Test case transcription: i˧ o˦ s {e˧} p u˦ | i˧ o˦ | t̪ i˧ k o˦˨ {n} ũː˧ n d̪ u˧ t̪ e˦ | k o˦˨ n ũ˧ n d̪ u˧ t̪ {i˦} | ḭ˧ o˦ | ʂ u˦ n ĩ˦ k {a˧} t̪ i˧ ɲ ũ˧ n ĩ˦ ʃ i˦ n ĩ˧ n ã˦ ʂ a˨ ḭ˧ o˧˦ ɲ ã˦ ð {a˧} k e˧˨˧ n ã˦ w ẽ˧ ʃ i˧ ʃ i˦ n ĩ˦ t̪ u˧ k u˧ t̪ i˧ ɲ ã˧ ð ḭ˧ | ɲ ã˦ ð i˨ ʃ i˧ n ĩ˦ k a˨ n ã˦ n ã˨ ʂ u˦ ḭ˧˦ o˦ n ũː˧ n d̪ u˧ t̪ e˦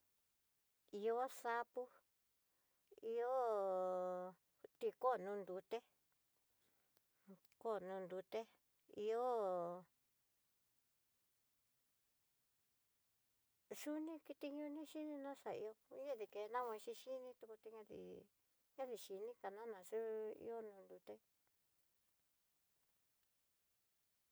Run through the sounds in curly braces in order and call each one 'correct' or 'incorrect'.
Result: incorrect, correct, incorrect, incorrect, incorrect

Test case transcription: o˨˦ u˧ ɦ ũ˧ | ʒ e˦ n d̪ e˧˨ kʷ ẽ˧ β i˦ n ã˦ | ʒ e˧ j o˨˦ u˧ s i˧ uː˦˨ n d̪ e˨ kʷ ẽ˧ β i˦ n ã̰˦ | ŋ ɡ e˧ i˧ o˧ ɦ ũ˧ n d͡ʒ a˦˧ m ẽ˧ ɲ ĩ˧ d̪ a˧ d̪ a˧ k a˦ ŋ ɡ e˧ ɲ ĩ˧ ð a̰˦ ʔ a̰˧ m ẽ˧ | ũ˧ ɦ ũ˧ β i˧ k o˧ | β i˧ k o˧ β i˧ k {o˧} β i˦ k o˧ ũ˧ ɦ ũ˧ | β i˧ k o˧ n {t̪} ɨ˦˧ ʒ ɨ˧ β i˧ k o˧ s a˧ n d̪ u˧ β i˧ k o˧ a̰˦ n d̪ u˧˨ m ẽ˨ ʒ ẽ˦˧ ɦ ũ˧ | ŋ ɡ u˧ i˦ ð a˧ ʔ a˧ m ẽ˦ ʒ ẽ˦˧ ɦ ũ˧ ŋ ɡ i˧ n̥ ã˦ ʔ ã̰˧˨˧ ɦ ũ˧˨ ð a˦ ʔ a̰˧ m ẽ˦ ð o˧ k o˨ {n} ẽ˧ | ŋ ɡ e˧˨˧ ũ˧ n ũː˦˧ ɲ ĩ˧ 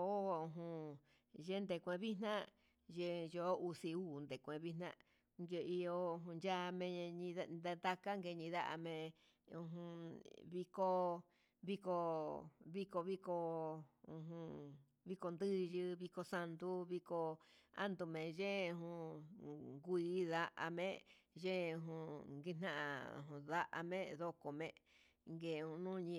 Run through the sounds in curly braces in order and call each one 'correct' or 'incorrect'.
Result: correct, incorrect, incorrect

